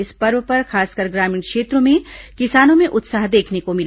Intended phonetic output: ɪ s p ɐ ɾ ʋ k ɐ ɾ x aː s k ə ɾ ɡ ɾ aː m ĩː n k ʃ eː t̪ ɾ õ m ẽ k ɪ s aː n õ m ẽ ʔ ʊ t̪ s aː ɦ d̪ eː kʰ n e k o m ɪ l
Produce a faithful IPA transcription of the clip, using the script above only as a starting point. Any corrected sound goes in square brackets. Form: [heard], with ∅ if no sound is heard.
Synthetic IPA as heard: ɪ s p ɐ ɾ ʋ [p] ɐ ɾ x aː s k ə ɾ ɡ ɾ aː m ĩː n k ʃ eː t̪ ɾ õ m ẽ k ɪ s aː n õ m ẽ ʔ ʊ t̪ s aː ɦ d̪ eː kʰ n e k o m ɪ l